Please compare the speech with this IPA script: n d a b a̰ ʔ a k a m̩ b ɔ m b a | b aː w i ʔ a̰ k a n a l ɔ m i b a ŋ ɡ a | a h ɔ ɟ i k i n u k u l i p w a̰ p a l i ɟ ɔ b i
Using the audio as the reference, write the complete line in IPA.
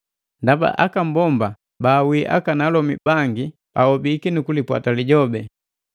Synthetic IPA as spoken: n d a b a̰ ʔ a k a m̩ b ɔ m b a | b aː w i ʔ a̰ k a n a l ɔ m i b a ŋ ɡ i | a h ɔ b i k i n u k u l i p w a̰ t a l i ɟ ɔ b ɛ